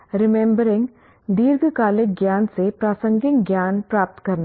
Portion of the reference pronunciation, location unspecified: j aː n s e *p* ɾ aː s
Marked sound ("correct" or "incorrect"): correct